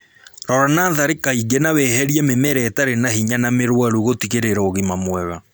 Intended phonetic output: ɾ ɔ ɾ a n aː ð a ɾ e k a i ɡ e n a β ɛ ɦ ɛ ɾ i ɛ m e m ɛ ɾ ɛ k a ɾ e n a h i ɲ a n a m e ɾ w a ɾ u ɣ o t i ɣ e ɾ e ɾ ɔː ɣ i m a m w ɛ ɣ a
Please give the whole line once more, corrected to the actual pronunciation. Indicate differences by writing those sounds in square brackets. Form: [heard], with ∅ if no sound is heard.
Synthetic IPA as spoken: ɾ ɔ ɾ a n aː ð a ɾ e k a i ɡ e n a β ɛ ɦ ɛ ɾ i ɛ m e m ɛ ɾ ɛ [t] a ɾ e n a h i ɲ a n a m e ɾ w a ɾ u ɣ o t i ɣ e ɾ e ɾ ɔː ɣ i m a m w ɛ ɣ a